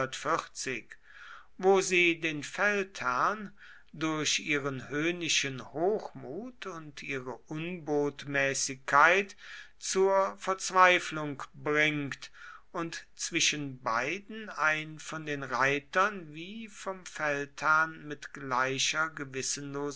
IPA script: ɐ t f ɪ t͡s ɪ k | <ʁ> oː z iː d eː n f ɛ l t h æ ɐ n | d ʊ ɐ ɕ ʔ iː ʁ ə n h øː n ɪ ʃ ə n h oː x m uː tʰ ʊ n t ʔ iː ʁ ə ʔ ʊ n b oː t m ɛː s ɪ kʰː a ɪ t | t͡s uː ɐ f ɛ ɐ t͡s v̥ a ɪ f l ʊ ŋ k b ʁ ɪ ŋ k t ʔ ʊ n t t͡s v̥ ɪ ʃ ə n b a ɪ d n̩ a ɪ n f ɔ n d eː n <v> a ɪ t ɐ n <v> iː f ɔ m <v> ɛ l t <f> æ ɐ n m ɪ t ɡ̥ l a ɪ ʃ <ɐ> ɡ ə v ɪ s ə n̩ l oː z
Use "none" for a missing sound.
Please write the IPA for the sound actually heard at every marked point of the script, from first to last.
v, ʁ, v, f, h, ɐ

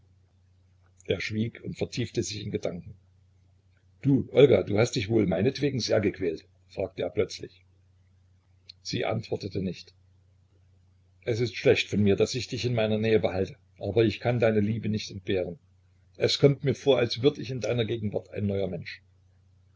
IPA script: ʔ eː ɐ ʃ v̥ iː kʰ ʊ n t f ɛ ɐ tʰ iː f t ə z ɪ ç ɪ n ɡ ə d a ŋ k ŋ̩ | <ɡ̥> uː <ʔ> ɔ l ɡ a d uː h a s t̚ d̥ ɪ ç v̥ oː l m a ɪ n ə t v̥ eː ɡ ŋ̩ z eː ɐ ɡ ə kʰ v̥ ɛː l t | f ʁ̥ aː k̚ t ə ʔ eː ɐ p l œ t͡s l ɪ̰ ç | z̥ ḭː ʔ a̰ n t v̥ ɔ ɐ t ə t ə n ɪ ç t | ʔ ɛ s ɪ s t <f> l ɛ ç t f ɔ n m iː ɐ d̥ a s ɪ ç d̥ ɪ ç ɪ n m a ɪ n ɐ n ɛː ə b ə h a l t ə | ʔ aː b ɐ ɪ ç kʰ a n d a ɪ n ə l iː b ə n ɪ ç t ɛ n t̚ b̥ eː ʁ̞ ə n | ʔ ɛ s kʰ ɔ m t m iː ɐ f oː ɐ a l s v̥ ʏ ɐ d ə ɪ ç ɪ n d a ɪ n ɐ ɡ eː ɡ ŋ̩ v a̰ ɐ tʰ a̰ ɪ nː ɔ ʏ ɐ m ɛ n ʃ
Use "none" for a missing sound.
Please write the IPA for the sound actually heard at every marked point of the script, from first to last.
d̥, ʔ, ʃ

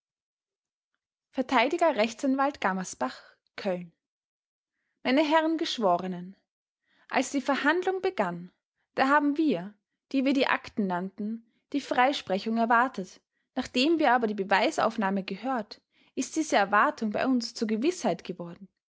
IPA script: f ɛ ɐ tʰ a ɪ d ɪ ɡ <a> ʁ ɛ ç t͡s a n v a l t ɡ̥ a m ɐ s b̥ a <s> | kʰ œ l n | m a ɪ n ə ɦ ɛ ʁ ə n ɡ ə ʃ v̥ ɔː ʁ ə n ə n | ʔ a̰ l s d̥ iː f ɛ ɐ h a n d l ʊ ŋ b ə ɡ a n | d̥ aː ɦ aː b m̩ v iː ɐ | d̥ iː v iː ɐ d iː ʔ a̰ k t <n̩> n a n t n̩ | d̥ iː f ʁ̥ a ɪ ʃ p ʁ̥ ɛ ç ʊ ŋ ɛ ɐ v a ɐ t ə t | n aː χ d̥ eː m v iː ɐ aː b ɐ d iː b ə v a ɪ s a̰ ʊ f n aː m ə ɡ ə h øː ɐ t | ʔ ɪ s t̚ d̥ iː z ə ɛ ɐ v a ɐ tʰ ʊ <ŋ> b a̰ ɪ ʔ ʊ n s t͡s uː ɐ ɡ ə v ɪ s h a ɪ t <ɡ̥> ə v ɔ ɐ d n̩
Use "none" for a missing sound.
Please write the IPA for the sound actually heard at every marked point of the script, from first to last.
ɐ, χ, n̩, ŋ, ɡ̥

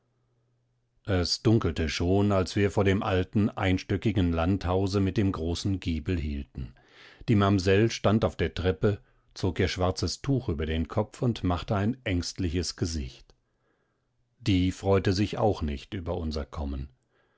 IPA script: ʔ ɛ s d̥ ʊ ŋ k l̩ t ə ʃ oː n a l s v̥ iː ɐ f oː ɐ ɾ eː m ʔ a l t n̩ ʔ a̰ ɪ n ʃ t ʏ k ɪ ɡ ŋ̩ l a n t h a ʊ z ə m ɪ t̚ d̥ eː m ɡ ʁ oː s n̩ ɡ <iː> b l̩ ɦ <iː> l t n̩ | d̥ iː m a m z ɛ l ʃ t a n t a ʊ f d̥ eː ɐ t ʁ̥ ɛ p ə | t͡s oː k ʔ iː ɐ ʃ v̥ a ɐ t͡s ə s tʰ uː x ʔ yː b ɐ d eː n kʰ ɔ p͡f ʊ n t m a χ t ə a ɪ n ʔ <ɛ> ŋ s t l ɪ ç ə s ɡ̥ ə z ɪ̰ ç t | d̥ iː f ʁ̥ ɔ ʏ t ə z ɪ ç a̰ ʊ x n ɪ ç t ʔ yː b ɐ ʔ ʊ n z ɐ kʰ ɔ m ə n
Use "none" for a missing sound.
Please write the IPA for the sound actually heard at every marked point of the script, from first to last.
iː, iː, ɛ

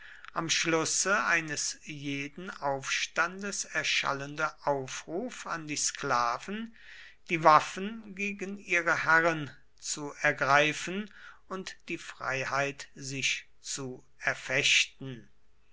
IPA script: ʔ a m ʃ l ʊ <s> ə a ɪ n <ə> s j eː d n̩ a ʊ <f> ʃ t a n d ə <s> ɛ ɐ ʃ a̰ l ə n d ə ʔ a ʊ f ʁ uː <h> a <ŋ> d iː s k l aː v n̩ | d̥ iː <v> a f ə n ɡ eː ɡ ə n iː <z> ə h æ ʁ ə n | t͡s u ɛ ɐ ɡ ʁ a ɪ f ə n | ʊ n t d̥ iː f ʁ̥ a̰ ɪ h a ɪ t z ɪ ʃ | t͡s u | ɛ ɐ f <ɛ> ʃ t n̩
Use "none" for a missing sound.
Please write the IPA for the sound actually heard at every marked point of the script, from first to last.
s, ə, f, s, f, n, v, ʁ, ɛ

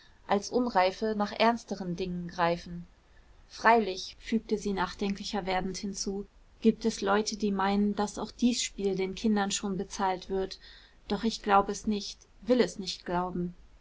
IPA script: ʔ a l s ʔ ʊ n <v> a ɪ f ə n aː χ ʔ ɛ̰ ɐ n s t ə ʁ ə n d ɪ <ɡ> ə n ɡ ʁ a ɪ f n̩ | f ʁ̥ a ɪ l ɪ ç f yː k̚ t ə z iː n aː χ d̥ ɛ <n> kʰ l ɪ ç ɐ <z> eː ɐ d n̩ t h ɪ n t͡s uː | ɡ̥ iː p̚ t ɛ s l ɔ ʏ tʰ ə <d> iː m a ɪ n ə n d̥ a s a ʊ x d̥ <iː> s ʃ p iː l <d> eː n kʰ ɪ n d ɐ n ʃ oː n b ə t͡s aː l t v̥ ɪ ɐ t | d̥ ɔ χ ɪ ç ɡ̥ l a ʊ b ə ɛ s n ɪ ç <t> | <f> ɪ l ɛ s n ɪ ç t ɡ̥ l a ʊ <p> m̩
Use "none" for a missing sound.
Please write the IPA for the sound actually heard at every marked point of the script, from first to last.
ʁ, ŋ, ŋ, v, d, iː, d, t, v, b

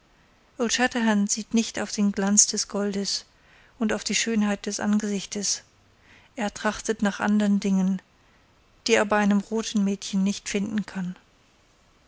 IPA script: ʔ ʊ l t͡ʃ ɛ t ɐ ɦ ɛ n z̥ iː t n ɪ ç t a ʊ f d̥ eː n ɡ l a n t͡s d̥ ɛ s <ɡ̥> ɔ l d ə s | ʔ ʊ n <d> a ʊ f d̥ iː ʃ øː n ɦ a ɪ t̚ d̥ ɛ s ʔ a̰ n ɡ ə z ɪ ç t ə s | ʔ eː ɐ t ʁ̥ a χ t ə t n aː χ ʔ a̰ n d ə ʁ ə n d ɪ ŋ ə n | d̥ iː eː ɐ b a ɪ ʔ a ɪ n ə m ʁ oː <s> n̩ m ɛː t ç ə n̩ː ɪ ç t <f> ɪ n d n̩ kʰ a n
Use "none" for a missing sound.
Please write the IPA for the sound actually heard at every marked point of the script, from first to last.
ɡ̥, t, t, f

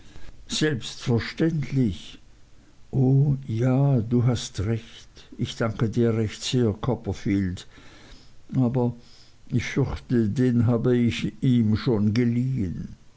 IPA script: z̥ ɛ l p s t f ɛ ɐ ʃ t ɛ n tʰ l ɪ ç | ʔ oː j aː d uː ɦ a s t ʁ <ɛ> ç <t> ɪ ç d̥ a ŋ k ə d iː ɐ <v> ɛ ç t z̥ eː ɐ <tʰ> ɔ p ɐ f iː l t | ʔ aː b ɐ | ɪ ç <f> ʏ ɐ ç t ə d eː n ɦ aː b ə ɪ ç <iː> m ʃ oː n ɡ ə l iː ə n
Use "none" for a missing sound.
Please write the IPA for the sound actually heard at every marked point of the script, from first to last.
ɛ, t, ʁ, kʰ, f, iː

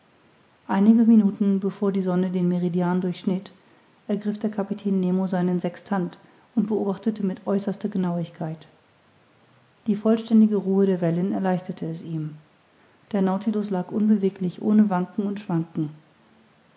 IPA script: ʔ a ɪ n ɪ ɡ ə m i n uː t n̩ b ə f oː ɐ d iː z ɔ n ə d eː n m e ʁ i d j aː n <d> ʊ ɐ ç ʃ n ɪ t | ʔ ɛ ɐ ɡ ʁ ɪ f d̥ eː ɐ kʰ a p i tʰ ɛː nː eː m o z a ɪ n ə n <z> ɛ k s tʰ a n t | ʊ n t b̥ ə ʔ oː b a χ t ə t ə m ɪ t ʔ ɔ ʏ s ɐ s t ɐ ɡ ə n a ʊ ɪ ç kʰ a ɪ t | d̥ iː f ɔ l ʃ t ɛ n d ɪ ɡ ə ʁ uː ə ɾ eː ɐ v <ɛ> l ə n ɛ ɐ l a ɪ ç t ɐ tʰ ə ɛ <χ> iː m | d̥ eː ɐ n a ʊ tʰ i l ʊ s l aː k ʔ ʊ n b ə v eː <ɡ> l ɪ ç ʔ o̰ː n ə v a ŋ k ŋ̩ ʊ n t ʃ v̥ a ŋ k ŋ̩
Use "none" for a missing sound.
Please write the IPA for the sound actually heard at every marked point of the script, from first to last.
d, z, ɛ, s, k

